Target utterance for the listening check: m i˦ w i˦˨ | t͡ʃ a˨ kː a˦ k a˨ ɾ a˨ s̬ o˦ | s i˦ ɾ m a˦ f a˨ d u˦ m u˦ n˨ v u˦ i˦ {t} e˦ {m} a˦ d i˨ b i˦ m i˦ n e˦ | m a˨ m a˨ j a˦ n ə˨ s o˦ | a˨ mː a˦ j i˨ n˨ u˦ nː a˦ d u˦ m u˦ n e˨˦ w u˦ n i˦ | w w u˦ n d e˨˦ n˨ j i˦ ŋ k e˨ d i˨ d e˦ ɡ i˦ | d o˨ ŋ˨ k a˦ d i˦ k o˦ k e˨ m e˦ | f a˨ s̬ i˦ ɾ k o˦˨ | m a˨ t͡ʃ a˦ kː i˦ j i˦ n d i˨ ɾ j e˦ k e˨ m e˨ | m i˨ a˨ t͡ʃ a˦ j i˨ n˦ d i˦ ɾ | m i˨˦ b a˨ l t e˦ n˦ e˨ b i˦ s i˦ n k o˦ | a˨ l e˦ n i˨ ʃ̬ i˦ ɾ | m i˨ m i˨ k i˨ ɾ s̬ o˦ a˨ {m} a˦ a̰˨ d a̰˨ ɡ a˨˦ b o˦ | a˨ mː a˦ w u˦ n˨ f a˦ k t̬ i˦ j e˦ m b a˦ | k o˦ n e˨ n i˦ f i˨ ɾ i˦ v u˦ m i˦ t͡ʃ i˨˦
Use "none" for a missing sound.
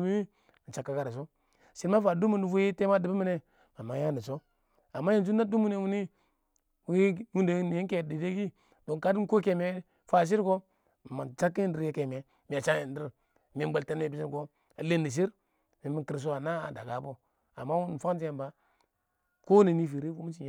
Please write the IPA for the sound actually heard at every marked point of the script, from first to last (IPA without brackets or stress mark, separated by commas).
t, m, n